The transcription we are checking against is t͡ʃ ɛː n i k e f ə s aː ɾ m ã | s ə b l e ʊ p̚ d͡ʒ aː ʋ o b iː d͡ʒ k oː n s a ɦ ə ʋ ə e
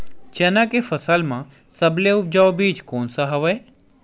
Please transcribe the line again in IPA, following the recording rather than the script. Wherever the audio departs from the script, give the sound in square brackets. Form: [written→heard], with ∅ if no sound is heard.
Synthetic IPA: t͡ʃ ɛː n [i→a] k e f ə s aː [ɾ→l] m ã | s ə b l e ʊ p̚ d͡ʒ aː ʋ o b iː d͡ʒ k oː n s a ɦ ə ʋ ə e